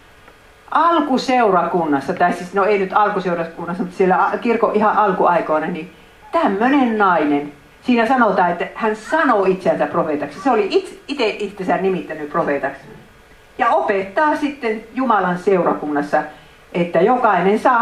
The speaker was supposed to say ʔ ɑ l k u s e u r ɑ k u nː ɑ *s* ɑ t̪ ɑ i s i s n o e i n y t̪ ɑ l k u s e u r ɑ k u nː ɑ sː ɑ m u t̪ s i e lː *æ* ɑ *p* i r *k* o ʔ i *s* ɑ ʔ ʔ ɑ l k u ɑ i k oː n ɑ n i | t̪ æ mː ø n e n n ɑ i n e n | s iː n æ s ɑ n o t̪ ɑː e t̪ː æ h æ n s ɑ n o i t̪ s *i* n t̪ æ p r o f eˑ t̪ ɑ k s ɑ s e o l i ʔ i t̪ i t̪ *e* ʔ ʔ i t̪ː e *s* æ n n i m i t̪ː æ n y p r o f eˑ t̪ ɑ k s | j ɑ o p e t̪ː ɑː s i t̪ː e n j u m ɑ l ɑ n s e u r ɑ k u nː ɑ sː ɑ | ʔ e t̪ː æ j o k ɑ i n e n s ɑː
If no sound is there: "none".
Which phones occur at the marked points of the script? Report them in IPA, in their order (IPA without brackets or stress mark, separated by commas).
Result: sː, æ, k, k, h, æ, e, s